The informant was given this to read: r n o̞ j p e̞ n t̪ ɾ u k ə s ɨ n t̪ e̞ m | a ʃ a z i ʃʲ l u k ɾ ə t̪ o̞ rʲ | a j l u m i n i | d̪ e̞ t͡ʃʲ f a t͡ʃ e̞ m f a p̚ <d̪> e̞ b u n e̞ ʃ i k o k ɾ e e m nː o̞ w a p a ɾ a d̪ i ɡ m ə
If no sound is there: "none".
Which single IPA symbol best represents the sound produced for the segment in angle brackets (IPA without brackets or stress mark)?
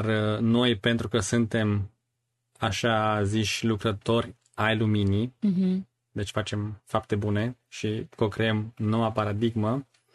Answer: t̪